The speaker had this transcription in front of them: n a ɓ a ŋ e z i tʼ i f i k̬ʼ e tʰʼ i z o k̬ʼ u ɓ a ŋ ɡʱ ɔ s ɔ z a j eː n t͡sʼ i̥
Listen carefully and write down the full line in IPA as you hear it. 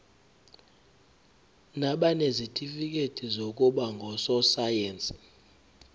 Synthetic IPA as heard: n a ɓ a n e z i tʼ i f i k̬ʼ e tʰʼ i z o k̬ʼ u ɓ a ŋ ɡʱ ɔ s ɔ s a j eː n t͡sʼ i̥